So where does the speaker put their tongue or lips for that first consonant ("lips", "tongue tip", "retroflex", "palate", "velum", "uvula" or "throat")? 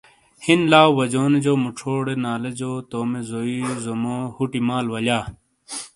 throat